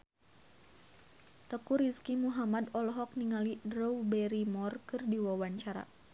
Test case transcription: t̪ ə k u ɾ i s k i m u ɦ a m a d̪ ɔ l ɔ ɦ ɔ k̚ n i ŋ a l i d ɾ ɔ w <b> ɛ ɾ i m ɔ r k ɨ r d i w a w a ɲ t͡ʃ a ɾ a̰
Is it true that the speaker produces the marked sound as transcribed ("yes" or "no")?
yes